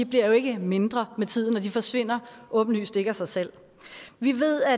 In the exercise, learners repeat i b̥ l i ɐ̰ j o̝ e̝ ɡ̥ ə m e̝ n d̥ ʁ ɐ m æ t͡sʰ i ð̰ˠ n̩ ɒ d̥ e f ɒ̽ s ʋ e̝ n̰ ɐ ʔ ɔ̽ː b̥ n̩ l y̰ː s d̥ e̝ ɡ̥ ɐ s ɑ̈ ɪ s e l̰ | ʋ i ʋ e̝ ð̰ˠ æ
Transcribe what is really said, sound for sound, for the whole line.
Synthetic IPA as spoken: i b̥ l i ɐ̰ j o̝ e̝ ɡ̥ ə m e̝ n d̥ ʁ ɐ m e t͡sʰ i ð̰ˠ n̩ ɒ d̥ i f ɒ̽ s ʋ e̝ n̰ ɐ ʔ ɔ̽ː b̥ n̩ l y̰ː s d̥ e̝ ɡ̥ ɐ s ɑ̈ ɪ s e l̰ | ʋ i ʋ e̝ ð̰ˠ æ